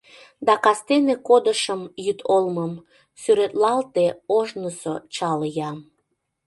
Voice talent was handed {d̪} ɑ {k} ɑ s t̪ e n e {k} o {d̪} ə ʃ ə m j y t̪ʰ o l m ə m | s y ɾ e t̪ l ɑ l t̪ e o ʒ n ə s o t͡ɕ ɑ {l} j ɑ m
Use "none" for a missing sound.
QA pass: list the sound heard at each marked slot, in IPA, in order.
d̪, k, k, d̪, l

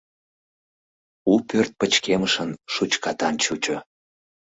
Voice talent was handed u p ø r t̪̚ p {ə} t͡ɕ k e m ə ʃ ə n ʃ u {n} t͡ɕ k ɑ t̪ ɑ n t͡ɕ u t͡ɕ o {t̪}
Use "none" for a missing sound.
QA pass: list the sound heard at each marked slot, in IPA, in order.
ə, none, none

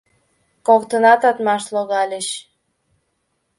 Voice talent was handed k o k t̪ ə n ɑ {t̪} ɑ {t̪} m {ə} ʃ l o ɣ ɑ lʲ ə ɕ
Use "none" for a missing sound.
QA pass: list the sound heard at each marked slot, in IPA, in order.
t̪, t̪, ɑ

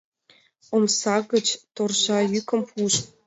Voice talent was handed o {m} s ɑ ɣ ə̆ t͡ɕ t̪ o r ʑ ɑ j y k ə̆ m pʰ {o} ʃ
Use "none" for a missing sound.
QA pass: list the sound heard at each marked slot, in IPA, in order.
m, u

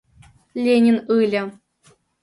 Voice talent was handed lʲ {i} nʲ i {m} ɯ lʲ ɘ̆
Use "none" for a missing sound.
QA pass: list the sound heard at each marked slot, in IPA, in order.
e, n

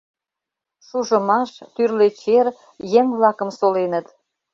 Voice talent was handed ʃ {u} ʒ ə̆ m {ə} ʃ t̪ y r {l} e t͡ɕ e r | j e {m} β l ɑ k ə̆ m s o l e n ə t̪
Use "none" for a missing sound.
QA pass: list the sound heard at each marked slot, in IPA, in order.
u, ɑ, l, ŋ

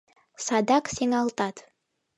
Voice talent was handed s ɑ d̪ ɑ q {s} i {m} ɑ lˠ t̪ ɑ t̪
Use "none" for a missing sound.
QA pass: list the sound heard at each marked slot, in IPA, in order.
s, ŋ

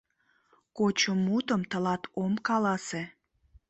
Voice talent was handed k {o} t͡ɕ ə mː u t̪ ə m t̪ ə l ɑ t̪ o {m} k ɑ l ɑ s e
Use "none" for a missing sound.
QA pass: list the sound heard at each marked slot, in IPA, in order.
o, m

